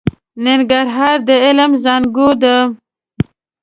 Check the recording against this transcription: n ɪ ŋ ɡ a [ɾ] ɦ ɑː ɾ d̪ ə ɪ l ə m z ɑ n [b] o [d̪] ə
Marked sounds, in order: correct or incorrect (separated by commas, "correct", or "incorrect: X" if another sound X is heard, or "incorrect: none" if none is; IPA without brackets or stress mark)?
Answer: correct, incorrect: ɡ, correct